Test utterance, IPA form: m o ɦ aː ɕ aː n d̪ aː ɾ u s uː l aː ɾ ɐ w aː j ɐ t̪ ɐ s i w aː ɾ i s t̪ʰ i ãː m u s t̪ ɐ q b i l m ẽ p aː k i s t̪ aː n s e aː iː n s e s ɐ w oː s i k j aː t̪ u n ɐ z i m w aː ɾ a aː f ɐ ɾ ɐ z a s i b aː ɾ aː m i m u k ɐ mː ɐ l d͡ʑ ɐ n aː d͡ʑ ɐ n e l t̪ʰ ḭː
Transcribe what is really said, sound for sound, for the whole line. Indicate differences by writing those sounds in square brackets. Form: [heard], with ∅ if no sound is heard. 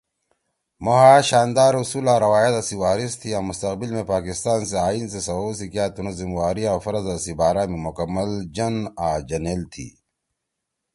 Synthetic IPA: m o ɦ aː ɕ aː n d̪ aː ɾ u s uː l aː ɾ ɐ w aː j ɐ t̪ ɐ s i w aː ɾ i s t̪ʰ i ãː m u s t̪ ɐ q b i l m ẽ p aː k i s t̪ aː n s e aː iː n s e s ɐ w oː s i k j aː t̪ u n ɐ z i m w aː ɾ [i] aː f ɐ ɾ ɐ z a s i b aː ɾ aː m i m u k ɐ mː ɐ l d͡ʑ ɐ n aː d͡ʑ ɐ n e l t̪ʰ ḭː